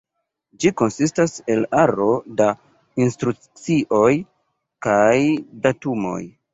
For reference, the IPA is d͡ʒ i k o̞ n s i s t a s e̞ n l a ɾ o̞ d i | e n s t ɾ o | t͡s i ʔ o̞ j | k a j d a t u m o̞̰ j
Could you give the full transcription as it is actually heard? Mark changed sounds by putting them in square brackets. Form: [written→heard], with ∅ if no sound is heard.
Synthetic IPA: d͡ʒ i k o̞ n s i s t a s e̞ [n→∅] l a ɾ o̞ d [i→a] | [e→i] n s t ɾ [o→u] | t͡s i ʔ o̞ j | k a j d a t u m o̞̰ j